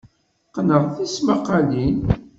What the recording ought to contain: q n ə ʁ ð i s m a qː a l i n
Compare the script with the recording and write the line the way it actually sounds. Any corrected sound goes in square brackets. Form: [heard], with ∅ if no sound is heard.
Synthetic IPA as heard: q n ə ʁ [θ] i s m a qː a l i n